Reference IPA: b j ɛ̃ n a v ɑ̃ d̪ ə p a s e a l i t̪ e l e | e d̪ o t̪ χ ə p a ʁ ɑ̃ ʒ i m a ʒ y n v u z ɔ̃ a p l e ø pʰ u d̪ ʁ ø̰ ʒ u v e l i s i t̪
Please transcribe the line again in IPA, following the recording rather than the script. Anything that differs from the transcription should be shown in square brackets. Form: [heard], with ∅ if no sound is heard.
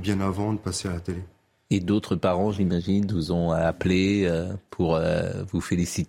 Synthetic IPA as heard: b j ɛ̃ n a v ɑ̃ d̪ ə p a s e a l [a] t̪ e l e | e d̪ o t̪ χ ə p a ʁ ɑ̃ ʒ i m a ʒ [i] n v u z ɔ̃ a p l e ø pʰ u [∅] ʁ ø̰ [v] u [f] e l i s i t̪